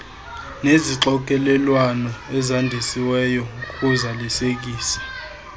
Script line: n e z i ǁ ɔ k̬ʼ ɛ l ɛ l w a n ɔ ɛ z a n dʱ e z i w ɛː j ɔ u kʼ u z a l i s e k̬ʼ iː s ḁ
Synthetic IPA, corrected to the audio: n e z i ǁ ɔ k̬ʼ ɛ l ɛ l w a n ɔ ɛ z a n dʱ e s i w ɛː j ɔ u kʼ u z a l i s e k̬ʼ iː s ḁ